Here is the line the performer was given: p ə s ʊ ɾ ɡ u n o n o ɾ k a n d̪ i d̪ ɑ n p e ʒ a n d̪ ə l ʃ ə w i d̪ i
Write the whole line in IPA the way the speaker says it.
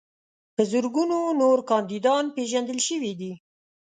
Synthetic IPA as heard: p ə z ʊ ɾ ɡ u n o n o ɾ k ɑ n d̪ i d̪ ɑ n p e ʒ a n d̪ ə l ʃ ə w i d̪ i